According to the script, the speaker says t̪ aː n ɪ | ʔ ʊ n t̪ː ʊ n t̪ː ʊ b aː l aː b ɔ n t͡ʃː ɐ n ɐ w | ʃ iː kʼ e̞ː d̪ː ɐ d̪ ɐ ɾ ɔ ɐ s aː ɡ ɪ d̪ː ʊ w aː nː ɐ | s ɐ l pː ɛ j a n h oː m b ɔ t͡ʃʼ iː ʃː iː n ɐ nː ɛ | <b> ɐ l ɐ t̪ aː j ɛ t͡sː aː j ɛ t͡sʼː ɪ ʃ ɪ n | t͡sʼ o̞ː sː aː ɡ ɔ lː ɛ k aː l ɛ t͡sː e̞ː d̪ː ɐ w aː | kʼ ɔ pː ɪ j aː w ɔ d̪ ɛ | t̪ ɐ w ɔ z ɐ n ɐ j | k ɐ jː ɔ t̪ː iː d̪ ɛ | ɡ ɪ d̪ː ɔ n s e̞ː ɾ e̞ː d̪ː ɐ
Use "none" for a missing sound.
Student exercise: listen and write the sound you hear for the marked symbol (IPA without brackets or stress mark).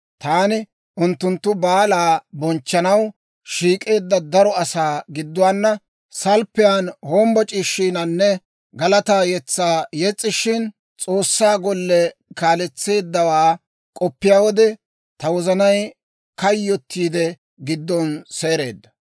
ɡ